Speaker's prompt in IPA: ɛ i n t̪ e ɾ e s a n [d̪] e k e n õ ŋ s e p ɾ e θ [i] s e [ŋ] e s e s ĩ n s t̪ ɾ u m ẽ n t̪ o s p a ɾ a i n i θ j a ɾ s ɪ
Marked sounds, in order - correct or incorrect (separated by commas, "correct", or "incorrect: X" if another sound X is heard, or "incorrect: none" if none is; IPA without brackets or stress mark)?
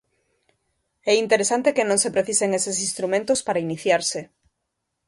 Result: incorrect: t̪, correct, correct